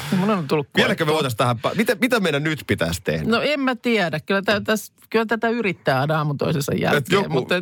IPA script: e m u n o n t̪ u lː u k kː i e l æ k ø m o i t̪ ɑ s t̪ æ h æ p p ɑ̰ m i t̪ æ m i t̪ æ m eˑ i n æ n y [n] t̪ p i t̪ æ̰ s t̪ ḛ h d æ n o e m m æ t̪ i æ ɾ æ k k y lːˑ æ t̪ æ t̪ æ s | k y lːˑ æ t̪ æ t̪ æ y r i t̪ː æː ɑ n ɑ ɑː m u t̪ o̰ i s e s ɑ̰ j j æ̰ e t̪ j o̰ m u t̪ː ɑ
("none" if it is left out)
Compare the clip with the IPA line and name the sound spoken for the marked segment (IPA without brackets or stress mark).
none